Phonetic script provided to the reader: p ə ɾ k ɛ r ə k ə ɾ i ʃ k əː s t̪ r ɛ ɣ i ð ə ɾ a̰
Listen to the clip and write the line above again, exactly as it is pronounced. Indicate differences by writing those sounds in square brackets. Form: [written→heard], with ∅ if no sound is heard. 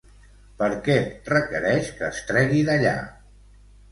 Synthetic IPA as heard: p ə ɾ k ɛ r ə k ə ɾ [i→ɛ] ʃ k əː s t̪ [r→ɾ] ɛ ɣ i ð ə [ɾ→ʎ] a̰